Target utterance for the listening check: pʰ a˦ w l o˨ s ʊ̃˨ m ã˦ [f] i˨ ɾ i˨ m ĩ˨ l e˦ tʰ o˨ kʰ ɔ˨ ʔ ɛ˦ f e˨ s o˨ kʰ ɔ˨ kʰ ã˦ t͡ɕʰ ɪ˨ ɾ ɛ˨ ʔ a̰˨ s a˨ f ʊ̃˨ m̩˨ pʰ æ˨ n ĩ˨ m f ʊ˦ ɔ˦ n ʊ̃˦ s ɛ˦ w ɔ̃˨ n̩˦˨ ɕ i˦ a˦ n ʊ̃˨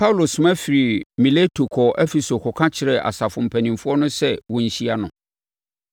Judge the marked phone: correct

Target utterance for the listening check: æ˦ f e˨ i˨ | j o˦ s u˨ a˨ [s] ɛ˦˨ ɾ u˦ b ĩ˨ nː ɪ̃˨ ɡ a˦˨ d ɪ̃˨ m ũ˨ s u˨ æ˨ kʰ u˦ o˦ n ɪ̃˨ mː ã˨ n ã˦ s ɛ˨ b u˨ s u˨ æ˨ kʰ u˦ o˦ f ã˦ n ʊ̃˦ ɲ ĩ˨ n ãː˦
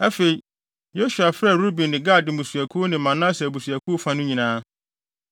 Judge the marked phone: incorrect: f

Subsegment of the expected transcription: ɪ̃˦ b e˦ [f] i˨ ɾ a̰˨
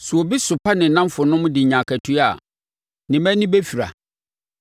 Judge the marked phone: correct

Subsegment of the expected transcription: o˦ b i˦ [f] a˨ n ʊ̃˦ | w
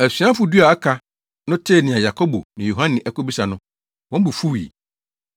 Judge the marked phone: incorrect: s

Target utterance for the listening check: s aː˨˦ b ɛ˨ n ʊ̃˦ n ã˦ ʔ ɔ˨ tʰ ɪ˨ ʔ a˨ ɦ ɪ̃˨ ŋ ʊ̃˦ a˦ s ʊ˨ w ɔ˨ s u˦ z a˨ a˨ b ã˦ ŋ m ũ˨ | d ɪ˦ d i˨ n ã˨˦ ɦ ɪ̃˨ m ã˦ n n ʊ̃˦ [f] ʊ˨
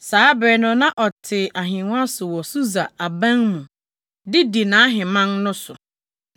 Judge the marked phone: incorrect: s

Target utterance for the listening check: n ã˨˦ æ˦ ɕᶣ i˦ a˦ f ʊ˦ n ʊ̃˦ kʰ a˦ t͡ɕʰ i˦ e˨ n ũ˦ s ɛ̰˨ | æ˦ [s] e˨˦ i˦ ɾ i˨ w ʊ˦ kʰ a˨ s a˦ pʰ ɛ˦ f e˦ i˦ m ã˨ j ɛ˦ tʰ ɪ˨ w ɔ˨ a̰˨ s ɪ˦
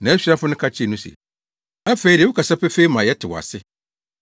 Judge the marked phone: incorrect: f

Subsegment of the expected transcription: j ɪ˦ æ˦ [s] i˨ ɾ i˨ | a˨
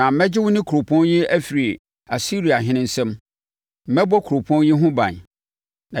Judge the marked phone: incorrect: f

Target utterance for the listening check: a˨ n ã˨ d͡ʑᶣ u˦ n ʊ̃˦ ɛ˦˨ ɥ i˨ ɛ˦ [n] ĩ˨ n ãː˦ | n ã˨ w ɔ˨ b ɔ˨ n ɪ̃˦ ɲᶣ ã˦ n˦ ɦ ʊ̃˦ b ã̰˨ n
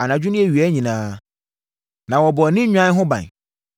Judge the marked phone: incorrect: ɲ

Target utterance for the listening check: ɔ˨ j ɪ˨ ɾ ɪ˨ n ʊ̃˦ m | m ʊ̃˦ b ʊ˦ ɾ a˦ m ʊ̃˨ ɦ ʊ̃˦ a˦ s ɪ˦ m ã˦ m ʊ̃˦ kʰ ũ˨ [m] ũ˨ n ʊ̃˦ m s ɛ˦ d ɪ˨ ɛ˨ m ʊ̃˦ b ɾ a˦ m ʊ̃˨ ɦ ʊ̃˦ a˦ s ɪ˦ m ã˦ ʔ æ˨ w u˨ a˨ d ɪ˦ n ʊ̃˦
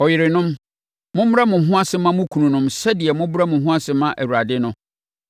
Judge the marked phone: incorrect: n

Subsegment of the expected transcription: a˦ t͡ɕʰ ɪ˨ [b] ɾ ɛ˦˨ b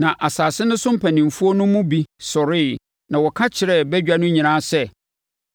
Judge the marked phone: incorrect: none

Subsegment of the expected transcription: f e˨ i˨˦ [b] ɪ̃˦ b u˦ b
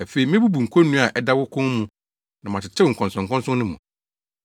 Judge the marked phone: incorrect: m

